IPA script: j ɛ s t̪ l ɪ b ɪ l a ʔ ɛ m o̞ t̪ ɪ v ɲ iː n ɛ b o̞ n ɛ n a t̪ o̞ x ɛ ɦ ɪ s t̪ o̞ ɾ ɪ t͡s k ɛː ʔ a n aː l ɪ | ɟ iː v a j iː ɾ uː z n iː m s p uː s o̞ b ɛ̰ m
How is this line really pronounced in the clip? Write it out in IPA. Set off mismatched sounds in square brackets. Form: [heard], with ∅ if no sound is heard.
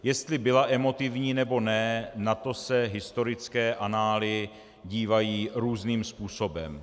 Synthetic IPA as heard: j ɛ s t̪ l ɪ b ɪ l a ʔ ɛ m o̞ t̪ ɪ v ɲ iː n ɛ b o̞ n ɛ n a t̪ o̞ [s] ɛ ɦ ɪ s t̪ o̞ ɾ ɪ t͡s k ɛː ʔ a n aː l ɪ | ɟ iː v a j iː ɾ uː z n iː m s p uː s o̞ b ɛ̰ m